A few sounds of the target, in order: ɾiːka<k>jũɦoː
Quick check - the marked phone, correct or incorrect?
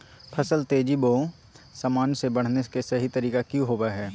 correct